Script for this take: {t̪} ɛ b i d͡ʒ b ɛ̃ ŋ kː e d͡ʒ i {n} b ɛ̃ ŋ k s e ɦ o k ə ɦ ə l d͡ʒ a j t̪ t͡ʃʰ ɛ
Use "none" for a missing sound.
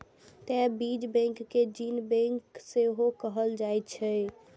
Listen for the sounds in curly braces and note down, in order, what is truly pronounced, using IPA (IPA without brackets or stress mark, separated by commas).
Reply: t̪, n